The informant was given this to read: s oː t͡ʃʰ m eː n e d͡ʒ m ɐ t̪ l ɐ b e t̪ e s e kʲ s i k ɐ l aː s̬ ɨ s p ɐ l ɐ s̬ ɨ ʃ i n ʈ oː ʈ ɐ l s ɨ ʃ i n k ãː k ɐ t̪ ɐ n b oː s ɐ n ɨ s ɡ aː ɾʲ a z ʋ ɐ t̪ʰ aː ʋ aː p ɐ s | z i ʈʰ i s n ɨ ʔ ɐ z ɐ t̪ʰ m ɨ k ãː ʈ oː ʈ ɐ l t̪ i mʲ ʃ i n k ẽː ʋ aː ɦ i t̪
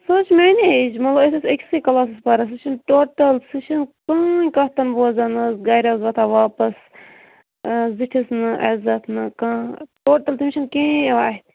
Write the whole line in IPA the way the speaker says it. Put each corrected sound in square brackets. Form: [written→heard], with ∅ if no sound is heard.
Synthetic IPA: s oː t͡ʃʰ m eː n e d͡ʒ m ɐ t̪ l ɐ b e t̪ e s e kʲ s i k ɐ l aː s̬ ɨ s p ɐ [l→ɾ] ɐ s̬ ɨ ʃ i n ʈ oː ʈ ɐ l s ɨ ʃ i n k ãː k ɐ t̪ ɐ n b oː [s→z] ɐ n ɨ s ɡ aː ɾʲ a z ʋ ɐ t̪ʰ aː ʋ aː p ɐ s | z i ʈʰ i s n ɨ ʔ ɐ z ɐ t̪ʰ [m→n] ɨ k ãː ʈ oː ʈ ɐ l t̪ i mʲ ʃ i n k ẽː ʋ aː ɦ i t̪